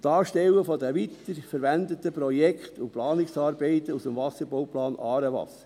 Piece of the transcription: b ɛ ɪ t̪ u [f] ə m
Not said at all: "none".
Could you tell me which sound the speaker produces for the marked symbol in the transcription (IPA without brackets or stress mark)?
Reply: s